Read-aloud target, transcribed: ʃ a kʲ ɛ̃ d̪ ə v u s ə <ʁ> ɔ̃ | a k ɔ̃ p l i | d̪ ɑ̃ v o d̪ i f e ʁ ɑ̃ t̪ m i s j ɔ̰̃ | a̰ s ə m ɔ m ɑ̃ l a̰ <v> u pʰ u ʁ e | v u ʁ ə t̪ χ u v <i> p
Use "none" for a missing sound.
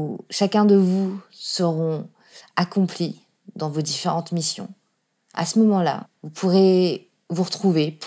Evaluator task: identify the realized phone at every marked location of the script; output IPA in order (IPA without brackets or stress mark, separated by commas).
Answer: ʁ, v, e